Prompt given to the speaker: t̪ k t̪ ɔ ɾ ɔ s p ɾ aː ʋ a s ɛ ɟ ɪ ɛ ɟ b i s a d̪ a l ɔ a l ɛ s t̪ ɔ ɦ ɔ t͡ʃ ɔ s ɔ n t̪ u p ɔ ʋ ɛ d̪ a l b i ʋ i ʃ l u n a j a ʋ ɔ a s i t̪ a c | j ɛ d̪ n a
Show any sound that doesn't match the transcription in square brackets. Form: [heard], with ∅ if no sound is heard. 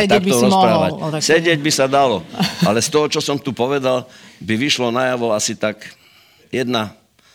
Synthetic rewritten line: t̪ k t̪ ɔ ɾ ɔ s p ɾ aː ʋ a s ɛ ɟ ɪ ɛ ɟ b i s a d̪ a l ɔ a l ɛ s t̪ ɔ ɦ ɔ t͡ʃ ɔ s ɔ [m] t̪ u p ɔ ʋ ɛ d̪ a l b i ʋ i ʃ l [ɔ] n a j a ʋ ɔ a s i t̪ a [k] | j ɛ d̪ n a